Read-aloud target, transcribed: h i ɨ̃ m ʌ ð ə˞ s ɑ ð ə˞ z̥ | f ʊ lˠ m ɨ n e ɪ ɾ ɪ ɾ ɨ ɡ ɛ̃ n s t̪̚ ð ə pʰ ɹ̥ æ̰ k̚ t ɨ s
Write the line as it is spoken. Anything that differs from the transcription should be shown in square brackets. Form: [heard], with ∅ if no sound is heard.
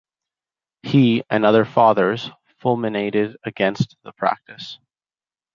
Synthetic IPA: h i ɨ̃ [n] ʌ ð ə˞ [f] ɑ ð ə˞ z̥ | f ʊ lˠ m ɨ n e ɪ ɾ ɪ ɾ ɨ ɡ ɛ̃ n s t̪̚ ð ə pʰ ɹ̥ æ̰ k̚ t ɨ s